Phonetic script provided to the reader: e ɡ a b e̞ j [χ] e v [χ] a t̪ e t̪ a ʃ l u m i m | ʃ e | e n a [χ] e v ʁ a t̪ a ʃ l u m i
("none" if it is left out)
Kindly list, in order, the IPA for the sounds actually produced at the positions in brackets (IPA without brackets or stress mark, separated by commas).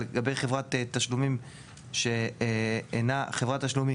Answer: χ, ʁ, χ